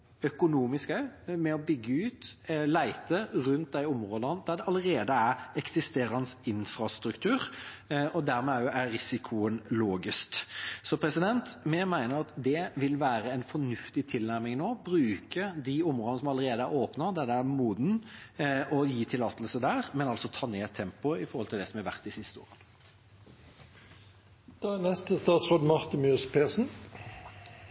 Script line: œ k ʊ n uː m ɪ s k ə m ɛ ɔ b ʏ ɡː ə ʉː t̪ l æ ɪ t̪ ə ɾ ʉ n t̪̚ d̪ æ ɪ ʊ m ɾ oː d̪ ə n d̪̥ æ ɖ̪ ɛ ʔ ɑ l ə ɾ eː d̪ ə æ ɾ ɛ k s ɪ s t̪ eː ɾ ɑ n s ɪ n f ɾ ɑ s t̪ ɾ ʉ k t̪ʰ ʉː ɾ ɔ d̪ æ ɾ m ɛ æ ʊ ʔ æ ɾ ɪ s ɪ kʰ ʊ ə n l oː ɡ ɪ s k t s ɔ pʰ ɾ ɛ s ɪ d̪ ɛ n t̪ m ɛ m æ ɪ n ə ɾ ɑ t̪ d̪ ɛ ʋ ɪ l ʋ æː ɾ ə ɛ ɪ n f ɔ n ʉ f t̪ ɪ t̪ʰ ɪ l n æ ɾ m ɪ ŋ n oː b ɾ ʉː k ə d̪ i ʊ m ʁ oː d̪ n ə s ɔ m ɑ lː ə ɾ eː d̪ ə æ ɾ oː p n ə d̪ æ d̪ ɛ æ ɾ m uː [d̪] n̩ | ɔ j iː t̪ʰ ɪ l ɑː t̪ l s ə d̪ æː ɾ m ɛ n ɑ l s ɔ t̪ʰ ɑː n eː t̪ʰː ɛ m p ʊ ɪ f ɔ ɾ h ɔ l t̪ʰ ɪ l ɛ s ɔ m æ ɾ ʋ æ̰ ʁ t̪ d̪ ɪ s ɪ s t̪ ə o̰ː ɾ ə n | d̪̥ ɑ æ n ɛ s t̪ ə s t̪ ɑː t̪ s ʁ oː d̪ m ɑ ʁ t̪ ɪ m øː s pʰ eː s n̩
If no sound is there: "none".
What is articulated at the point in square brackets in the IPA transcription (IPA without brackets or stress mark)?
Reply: d̪